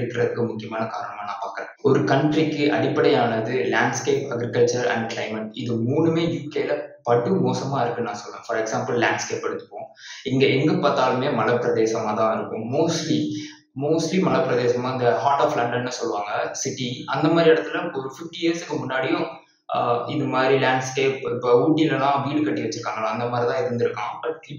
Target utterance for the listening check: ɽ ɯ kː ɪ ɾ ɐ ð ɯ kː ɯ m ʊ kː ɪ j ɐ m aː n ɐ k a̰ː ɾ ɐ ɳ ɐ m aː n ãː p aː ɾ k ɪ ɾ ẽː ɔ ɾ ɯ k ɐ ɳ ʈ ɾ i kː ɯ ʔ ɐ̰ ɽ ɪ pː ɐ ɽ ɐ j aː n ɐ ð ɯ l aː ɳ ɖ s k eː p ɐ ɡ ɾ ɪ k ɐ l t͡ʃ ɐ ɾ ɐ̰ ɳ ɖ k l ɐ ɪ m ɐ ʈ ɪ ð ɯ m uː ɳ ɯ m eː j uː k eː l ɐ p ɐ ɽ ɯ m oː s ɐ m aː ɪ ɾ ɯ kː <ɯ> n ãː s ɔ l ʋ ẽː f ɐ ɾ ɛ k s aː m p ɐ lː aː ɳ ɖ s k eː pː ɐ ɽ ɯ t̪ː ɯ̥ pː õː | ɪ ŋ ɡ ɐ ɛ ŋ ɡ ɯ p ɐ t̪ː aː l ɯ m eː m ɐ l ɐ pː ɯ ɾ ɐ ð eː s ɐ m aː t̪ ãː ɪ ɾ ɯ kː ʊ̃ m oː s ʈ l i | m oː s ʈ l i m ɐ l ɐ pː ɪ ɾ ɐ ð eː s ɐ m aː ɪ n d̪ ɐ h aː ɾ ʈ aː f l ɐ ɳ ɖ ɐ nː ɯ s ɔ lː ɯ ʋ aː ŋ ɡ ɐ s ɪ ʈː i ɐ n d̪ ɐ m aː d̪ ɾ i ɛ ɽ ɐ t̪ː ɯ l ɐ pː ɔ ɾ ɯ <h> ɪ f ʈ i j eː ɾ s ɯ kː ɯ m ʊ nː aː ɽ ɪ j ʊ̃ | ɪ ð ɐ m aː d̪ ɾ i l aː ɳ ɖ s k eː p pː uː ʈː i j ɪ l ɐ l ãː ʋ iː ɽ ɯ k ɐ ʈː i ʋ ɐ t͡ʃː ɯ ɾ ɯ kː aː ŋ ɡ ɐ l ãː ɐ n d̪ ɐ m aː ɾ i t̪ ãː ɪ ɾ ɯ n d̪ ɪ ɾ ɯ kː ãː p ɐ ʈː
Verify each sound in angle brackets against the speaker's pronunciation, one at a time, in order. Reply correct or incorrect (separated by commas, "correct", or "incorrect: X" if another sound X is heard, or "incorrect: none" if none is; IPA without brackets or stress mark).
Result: correct, incorrect: f